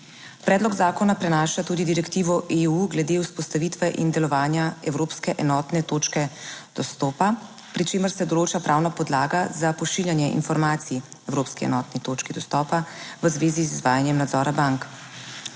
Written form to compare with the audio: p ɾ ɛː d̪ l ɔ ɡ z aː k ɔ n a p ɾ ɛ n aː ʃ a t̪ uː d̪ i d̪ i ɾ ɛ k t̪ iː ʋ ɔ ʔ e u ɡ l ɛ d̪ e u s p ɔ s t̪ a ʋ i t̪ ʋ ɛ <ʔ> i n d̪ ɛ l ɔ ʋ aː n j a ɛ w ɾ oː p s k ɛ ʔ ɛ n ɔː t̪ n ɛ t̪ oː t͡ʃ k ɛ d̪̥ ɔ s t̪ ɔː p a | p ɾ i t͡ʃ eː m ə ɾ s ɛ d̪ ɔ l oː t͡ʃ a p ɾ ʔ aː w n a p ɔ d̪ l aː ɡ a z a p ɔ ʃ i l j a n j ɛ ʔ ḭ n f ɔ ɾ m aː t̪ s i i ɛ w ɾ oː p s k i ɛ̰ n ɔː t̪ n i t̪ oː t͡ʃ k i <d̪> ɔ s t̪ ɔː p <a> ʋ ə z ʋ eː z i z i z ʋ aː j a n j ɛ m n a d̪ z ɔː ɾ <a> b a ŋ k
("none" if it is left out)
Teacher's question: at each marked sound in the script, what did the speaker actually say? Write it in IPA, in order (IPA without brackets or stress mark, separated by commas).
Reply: ʔ, d̪, a, a